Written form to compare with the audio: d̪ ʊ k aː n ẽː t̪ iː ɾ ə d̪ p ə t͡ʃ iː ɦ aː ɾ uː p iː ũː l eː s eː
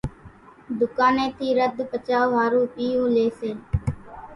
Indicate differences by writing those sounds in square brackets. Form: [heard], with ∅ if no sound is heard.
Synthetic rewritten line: d̪ ʊ k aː n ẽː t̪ iː ɾ ə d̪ p ə t͡ʃ [aː] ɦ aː ɾ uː p iː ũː l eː s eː